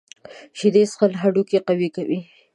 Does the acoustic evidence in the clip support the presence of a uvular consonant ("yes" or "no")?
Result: yes